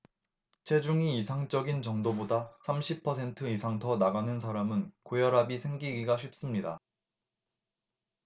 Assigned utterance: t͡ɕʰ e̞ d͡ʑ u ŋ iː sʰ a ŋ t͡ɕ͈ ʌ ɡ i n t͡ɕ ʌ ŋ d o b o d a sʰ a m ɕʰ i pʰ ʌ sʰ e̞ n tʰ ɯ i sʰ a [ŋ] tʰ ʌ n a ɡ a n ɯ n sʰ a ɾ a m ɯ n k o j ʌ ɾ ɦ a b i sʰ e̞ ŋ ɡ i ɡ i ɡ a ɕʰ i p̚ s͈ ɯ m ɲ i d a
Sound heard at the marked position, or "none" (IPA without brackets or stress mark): ŋ